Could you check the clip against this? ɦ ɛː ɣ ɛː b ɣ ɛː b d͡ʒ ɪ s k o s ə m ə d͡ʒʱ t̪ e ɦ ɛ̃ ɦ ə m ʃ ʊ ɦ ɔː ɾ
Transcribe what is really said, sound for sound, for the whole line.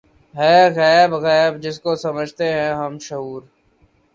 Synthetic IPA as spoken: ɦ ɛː ɣ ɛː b ɣ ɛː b d͡ʒ ɪ s k o s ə m ə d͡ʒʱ t̪ e ɦ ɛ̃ ɦ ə m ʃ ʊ ɦ uː ɾ